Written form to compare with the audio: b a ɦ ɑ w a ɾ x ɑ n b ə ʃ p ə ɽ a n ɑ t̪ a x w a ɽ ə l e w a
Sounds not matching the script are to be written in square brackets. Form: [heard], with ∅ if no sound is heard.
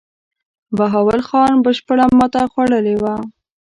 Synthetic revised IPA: b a ɦ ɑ w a [l] x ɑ n b ə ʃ p ə ɽ a [m] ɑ t̪ a x w a ɽ ə l e w a